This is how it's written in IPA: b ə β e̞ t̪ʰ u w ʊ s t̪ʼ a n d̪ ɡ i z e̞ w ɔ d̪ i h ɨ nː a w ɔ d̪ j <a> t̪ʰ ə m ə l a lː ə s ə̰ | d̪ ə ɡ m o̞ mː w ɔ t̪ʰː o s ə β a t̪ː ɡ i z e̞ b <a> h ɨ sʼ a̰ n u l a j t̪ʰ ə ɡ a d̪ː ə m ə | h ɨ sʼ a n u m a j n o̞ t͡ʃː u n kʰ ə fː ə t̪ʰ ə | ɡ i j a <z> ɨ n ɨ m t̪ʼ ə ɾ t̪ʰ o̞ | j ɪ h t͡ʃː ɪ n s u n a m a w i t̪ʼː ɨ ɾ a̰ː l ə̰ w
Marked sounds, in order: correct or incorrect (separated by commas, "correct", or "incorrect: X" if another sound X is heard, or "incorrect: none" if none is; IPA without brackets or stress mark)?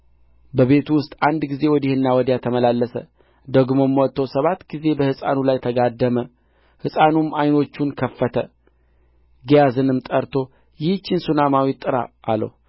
correct, incorrect: ə, correct